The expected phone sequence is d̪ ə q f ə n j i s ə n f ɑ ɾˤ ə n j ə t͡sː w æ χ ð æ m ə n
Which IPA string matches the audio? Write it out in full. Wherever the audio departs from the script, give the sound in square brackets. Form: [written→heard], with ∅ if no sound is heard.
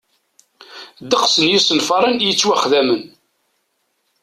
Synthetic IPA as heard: d̪ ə q [f→s] ə n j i s ə n f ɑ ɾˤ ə n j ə t͡sː w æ χ ð æ m ə n